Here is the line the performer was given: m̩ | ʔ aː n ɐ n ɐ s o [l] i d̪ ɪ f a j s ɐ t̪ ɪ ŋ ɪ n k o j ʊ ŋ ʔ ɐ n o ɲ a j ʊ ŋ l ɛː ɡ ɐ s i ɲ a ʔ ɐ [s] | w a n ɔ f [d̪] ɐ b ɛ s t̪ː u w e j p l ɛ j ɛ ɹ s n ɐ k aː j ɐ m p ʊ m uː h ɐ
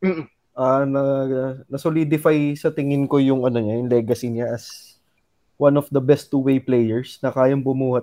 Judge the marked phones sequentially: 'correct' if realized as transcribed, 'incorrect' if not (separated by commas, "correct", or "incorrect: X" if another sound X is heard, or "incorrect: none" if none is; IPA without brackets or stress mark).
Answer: correct, correct, correct